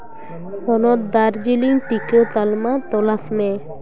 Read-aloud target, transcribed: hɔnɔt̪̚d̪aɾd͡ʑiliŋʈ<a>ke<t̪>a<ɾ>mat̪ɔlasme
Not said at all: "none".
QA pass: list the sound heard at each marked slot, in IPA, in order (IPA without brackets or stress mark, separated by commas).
i, t̪, l